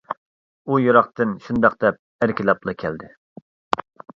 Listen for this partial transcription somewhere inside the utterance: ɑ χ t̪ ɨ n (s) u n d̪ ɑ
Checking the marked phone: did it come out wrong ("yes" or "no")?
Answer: yes